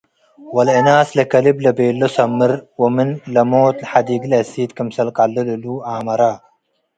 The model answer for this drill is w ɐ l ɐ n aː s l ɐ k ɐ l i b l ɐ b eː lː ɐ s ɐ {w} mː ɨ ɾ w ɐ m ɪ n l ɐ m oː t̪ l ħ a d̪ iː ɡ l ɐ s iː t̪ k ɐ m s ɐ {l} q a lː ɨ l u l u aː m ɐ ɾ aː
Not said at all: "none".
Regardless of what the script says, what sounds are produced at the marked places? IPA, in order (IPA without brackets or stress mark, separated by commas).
none, l